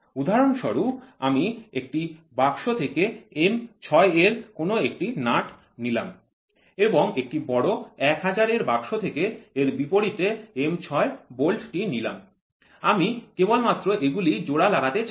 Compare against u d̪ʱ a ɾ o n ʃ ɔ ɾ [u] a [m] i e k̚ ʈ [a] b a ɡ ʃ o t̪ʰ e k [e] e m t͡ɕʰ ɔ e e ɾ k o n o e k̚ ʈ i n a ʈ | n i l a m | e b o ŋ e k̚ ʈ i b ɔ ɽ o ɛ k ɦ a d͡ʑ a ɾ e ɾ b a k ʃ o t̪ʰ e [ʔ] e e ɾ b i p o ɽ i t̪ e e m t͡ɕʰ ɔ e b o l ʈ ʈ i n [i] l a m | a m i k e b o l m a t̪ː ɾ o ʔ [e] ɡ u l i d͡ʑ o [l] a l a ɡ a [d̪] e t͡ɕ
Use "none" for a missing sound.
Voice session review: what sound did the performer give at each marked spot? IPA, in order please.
u, m, i, e, k, i, e, ɽ, t̪

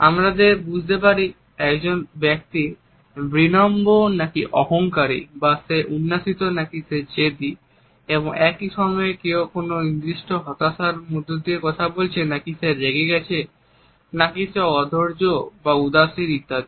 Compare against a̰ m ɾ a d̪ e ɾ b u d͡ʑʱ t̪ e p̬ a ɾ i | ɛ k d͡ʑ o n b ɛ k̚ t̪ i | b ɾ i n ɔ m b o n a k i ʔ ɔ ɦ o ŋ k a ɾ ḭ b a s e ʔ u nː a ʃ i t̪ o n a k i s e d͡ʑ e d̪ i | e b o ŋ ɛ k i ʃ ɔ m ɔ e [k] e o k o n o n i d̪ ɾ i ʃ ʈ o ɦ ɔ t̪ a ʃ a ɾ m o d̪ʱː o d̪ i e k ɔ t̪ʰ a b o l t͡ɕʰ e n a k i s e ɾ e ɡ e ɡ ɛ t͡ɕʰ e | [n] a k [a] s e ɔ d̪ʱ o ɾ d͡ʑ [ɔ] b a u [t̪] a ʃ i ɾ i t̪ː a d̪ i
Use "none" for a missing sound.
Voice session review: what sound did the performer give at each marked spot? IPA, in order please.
k, n, i, o, d̪

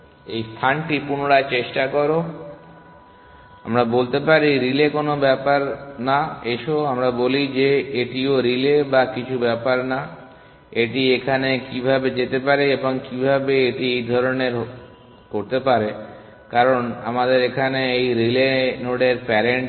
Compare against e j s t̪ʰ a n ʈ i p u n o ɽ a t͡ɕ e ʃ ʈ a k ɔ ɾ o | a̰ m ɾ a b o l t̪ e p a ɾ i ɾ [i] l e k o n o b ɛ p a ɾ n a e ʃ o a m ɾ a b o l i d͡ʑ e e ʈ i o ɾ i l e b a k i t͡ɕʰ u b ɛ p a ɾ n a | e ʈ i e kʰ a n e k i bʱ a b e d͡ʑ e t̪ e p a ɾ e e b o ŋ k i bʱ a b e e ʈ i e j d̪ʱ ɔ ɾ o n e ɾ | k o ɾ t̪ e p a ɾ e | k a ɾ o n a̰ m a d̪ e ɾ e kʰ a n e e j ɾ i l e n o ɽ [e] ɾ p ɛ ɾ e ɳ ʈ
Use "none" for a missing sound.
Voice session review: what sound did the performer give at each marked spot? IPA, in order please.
i, e

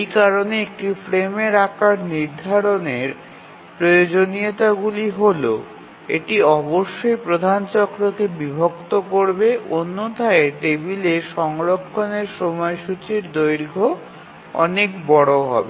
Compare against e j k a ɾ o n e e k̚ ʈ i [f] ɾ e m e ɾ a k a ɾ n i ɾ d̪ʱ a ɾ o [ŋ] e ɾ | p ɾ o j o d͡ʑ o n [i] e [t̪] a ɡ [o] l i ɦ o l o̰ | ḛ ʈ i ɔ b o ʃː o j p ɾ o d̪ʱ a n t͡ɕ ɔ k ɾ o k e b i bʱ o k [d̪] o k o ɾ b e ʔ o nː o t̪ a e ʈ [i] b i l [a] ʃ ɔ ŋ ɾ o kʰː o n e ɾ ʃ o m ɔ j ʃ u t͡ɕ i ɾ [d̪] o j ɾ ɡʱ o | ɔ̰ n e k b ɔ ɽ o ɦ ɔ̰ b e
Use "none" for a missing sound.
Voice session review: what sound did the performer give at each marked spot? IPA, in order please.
f, n, i, t̪, u, t̪, e, e, d̪

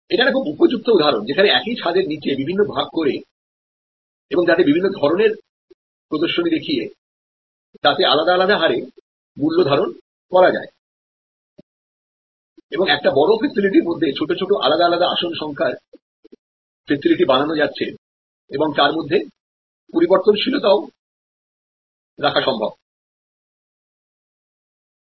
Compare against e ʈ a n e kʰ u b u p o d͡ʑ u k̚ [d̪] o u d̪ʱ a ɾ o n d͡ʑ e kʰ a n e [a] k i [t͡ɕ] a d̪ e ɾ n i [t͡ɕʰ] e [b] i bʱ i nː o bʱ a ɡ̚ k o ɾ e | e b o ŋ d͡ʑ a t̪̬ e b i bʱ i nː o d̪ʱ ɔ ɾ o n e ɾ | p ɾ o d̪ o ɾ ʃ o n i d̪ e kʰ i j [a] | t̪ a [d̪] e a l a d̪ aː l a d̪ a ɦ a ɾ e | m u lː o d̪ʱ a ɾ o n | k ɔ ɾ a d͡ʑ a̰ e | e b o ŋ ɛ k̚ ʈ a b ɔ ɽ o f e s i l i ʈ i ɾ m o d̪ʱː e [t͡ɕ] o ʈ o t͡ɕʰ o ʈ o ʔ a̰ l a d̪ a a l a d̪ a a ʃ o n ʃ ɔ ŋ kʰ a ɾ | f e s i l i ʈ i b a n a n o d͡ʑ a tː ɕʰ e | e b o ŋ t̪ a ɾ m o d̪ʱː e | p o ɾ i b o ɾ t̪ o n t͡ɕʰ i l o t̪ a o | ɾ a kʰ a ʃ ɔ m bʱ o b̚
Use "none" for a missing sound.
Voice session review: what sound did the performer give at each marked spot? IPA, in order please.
t̪, ɛ, t͡ɕʰ, t͡ɕ, b, e, t̪, t͡ɕʰ

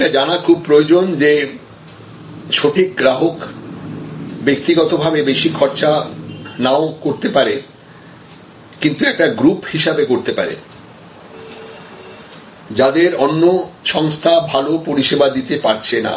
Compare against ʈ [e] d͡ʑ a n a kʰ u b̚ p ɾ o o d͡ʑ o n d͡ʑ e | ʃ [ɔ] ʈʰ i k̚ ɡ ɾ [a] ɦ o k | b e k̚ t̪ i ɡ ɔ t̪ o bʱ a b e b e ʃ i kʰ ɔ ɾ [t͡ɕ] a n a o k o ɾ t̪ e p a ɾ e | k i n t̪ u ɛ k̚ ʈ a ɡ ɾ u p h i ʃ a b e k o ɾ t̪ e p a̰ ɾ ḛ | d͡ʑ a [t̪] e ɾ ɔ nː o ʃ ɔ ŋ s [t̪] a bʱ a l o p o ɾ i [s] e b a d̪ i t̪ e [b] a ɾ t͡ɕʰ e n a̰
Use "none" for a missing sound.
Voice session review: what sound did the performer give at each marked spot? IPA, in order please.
a, o, a, t͡ɕ, d̪, t̪ʰ, ʃ, p

